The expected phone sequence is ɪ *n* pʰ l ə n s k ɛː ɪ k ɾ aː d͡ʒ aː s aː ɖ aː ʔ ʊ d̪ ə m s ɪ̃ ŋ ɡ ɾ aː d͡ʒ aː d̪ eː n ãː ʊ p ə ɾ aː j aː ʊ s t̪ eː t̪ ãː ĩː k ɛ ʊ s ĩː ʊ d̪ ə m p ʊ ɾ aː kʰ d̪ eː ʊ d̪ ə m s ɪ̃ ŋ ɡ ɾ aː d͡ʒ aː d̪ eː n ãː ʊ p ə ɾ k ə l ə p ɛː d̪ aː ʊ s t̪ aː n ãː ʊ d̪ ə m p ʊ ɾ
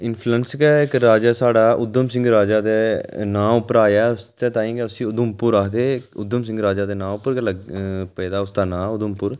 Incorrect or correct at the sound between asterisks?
correct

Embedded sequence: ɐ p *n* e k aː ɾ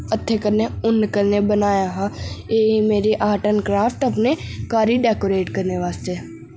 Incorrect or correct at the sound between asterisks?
correct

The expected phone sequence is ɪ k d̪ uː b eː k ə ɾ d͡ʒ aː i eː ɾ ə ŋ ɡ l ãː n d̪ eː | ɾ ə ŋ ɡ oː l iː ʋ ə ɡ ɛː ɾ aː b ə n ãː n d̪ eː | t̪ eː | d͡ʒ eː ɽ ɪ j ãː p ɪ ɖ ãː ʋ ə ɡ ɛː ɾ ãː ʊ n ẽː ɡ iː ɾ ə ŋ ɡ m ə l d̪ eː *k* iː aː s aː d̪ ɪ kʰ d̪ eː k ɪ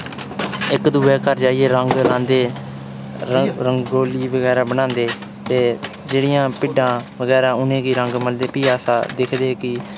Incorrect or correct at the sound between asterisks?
incorrect: p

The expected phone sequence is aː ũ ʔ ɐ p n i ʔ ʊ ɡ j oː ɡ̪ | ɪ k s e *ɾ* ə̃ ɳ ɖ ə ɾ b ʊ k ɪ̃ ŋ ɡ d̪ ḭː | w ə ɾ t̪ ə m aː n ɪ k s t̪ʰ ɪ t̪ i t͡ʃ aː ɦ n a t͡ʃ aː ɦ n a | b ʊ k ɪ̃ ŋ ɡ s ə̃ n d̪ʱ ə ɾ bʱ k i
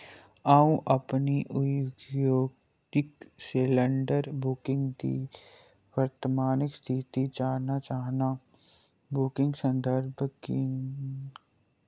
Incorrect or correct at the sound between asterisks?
incorrect: l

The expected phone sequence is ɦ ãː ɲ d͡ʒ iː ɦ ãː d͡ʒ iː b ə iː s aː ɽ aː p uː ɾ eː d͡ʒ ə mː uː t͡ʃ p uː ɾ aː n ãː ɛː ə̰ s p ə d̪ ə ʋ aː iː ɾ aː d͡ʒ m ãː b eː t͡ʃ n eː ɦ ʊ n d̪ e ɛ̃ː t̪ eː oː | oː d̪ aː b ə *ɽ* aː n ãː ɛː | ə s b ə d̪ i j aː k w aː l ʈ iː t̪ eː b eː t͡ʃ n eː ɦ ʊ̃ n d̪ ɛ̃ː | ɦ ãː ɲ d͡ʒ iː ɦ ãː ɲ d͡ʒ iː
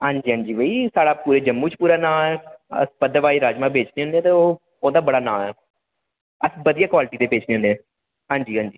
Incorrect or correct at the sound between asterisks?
correct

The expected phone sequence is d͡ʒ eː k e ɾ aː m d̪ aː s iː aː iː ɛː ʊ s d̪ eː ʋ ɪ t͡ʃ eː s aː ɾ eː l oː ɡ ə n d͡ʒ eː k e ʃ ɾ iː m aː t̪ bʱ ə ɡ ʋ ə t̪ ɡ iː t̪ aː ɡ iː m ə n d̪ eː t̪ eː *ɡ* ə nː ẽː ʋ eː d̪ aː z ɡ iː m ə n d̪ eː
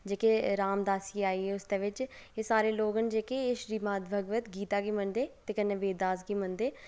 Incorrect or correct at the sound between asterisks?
incorrect: k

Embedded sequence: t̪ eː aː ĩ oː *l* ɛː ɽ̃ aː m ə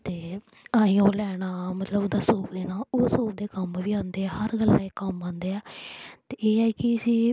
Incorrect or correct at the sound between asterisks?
correct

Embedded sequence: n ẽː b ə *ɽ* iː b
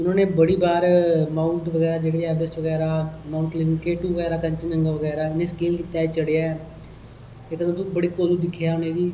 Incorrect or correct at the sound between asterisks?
correct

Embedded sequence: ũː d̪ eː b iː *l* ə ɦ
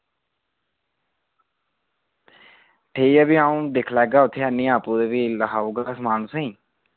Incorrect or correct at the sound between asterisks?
correct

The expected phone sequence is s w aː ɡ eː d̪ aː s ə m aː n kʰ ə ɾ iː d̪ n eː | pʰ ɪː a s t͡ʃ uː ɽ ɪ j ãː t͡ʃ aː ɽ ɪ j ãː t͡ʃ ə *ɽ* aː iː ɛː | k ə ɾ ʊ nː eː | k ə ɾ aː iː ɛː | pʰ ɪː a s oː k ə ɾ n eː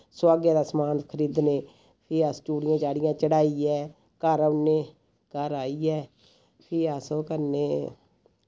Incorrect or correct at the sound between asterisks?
correct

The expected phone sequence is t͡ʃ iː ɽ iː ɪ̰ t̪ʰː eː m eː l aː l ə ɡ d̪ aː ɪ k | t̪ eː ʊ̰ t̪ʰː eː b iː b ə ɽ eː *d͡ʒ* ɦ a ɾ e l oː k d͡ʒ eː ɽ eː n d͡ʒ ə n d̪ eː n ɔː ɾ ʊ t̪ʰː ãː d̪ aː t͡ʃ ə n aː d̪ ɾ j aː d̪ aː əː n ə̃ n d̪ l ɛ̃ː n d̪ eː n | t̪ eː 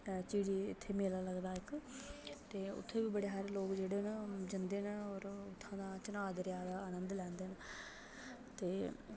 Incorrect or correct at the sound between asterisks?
incorrect: none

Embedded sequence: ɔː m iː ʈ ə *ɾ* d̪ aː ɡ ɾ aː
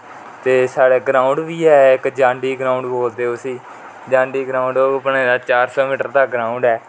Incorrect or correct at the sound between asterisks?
correct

